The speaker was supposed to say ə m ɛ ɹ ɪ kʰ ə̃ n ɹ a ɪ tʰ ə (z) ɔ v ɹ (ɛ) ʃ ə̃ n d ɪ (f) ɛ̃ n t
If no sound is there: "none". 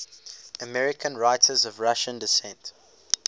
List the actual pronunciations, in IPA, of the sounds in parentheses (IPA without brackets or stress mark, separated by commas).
z, a, s